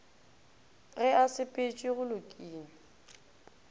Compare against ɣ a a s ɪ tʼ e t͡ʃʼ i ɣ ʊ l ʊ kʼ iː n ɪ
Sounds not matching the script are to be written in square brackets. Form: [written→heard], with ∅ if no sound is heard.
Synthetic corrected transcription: ɣ [a→ɛ] a s ɪ [tʼ→pʼ] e t͡ʃʼ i ɣ ʊ l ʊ kʼ iː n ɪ